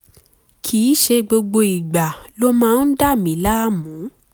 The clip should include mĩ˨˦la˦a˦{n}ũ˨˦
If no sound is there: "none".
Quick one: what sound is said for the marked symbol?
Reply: m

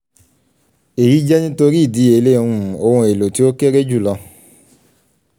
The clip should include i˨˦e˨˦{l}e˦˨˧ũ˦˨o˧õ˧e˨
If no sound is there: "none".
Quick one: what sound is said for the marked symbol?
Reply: l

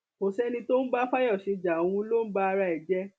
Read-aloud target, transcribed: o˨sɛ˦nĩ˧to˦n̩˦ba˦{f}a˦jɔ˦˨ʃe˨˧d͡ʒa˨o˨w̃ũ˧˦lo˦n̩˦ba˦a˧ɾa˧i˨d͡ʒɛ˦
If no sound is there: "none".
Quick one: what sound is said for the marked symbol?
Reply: f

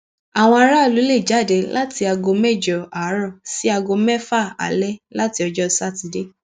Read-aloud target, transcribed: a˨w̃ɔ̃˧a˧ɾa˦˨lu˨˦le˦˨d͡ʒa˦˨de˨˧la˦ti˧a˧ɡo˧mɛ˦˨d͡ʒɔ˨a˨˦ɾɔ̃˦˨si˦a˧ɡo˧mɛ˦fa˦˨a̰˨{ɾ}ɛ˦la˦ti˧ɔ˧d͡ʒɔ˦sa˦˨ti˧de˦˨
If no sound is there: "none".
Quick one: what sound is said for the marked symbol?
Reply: l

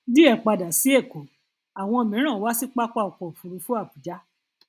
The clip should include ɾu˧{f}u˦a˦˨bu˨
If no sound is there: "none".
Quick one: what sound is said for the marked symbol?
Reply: f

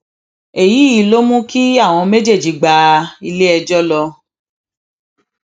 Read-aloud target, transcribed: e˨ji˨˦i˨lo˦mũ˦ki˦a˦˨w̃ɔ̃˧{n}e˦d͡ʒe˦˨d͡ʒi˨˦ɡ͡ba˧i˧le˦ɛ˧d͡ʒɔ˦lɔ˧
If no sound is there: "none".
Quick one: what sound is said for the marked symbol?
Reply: m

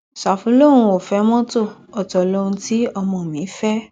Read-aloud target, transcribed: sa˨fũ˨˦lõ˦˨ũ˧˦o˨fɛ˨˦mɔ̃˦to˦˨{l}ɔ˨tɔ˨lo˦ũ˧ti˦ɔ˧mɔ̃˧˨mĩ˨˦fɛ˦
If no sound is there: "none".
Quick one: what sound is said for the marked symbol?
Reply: none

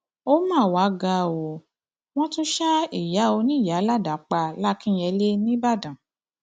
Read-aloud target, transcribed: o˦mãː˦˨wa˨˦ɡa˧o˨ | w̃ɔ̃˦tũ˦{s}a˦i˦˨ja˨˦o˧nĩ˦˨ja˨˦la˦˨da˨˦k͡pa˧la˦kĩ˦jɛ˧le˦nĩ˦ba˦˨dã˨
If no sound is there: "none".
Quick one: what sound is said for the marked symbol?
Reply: ʃ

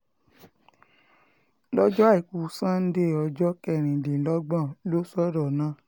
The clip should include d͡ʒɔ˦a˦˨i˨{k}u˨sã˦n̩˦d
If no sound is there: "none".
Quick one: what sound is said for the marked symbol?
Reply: k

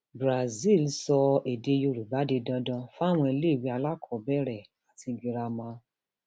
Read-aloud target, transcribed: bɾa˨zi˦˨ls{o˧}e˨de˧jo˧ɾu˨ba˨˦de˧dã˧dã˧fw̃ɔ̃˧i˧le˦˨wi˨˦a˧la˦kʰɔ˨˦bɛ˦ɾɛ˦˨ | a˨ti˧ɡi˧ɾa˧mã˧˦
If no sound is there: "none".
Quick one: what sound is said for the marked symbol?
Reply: ɔ˧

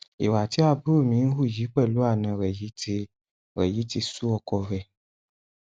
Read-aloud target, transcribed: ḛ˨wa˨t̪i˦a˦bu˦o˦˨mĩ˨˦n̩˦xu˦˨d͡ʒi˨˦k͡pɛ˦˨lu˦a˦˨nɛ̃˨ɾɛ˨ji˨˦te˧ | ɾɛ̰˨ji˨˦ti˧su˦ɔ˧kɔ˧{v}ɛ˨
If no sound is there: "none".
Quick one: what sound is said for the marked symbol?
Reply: v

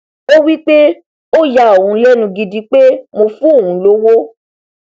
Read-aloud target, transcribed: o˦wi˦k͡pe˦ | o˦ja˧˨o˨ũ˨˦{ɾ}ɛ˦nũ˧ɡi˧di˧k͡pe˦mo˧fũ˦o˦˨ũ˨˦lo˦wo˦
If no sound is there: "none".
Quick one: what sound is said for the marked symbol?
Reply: l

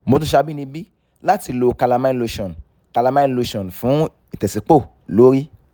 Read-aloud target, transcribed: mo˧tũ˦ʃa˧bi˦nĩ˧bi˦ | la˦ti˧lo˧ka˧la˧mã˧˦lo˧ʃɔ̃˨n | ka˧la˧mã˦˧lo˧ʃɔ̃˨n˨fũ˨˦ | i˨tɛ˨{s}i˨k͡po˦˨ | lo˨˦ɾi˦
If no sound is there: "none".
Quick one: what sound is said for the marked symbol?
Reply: s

